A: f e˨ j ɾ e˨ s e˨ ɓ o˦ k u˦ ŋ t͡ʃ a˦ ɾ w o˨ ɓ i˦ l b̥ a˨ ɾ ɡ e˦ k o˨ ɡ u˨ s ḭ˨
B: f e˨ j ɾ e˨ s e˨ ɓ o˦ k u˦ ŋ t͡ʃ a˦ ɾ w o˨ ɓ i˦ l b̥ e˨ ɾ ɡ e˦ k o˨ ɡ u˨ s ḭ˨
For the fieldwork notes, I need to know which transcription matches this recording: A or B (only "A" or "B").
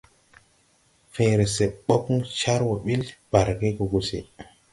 A